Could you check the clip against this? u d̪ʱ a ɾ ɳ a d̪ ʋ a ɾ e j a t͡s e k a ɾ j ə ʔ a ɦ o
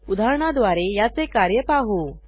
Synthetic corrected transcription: u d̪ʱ a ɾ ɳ a d̪ ʋ a ɾ e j a t͡s e k a ɾ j ə p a ɦ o